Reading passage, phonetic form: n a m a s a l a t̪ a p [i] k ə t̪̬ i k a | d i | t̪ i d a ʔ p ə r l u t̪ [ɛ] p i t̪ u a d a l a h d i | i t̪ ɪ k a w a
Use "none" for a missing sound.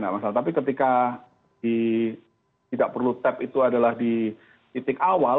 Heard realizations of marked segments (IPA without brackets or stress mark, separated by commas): i, ɛ